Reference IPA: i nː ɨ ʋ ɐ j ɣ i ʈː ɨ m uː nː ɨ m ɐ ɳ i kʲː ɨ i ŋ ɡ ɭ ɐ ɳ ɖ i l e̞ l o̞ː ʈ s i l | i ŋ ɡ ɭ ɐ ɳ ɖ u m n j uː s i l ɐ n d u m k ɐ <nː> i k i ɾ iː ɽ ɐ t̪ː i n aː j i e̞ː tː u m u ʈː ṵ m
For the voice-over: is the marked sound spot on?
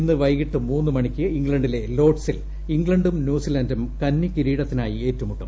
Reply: yes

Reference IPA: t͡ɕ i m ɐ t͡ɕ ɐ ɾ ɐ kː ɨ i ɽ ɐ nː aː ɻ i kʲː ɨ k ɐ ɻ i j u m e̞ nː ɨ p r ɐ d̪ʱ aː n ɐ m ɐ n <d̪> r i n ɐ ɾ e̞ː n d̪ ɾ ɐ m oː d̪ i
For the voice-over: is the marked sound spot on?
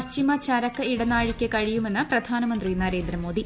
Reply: yes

